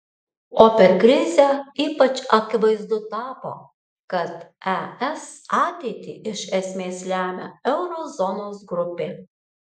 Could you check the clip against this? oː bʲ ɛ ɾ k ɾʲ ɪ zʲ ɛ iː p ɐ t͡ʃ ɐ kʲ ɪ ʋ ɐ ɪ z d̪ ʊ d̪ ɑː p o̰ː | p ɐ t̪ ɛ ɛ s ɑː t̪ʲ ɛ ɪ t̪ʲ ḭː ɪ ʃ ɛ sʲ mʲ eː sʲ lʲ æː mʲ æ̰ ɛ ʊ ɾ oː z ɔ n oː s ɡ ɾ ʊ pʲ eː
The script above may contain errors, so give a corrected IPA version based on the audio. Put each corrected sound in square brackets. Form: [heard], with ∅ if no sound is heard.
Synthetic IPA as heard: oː [pʲ] ɛ ɾ k ɾʲ ɪ zʲ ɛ iː p ɐ t͡ʃ ɐ kʲ ɪ ʋ ɐ ɪ z d̪ ʊ [t̪] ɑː p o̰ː | [k] ɐ t̪ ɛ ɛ s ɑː t̪ʲ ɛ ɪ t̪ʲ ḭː ɪ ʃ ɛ sʲ mʲ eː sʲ lʲ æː mʲ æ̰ ɛ ʊ ɾ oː z ɔ n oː s ɡ ɾ ʊ pʲ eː